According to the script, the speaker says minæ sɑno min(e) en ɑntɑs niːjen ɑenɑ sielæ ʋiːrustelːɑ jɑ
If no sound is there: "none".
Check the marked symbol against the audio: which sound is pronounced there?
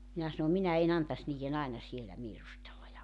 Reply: æ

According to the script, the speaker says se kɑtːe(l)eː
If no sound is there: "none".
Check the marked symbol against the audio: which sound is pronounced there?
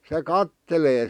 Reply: l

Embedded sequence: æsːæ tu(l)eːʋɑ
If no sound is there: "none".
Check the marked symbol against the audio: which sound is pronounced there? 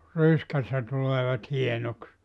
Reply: l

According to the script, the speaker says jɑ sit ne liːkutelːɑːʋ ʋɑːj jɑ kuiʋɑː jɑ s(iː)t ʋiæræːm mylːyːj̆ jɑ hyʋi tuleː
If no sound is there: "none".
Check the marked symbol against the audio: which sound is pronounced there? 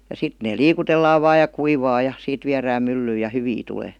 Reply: iː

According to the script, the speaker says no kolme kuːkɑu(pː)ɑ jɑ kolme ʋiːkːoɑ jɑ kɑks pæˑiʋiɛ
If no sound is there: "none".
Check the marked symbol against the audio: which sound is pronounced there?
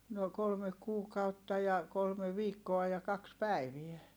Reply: tː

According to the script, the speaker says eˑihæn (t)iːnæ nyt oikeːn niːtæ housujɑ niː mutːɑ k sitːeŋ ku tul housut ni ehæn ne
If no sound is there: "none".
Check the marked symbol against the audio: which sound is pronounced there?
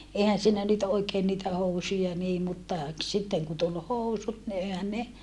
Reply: s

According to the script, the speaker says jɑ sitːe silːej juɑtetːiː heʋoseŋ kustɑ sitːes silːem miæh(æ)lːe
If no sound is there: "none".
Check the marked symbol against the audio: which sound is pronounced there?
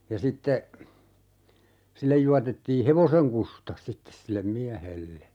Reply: e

